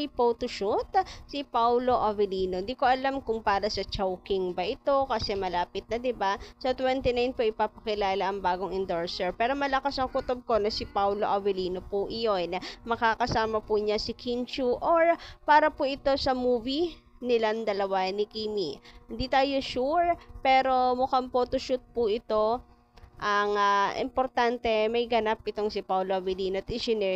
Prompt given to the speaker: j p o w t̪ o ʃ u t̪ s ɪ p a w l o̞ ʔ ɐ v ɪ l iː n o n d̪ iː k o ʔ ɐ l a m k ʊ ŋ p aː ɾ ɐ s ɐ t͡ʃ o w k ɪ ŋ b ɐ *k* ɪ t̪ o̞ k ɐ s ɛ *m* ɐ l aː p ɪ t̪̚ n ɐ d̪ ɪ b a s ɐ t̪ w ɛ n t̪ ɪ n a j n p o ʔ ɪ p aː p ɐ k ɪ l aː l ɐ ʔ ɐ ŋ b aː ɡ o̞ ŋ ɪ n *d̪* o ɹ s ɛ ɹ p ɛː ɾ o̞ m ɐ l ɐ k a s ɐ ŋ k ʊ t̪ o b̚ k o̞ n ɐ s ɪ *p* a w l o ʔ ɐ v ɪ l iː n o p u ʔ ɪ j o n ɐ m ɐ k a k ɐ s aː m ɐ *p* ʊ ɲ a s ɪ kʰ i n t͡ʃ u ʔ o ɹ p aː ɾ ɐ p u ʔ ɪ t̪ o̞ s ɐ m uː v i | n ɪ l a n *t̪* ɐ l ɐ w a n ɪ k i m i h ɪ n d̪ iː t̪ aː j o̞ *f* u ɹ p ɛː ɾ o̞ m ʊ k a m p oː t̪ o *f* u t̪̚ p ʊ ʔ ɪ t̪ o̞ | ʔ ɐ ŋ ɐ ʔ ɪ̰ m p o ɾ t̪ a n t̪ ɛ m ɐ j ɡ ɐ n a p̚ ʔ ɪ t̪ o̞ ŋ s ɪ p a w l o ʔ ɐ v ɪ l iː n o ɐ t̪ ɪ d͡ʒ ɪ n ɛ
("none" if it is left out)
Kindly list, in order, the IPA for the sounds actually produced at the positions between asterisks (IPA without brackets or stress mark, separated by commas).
ʔ, m, d̪, p, p, d̪, ʃ, ʃ